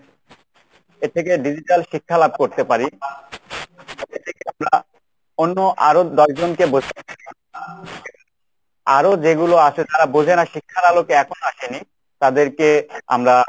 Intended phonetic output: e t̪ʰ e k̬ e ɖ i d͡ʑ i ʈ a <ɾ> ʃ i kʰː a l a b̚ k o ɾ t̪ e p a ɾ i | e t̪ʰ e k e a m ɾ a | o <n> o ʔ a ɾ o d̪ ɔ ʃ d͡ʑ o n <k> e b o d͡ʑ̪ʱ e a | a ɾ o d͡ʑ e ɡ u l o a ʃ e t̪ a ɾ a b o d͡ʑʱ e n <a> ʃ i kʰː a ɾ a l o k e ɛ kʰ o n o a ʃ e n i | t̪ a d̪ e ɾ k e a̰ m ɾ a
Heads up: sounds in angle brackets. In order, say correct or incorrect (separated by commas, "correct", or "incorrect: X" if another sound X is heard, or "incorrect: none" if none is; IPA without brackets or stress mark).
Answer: incorrect: l, incorrect: nː, correct, correct